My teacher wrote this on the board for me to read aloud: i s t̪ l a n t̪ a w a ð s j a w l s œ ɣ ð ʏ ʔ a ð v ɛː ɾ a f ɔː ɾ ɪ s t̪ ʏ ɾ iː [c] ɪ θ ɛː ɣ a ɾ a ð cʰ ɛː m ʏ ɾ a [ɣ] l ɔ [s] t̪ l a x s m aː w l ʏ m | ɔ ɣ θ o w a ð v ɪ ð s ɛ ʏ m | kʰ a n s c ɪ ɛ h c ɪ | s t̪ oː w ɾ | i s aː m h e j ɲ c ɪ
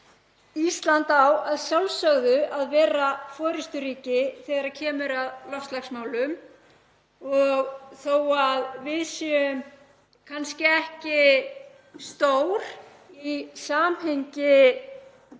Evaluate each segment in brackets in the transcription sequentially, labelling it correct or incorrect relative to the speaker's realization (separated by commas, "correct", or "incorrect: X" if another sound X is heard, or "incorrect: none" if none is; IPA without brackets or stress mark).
correct, incorrect: ð, incorrect: f